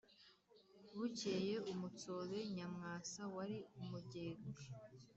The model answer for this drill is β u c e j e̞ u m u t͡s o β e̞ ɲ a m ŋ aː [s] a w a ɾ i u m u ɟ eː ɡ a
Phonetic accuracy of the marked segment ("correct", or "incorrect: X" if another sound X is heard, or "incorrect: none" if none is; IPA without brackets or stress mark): correct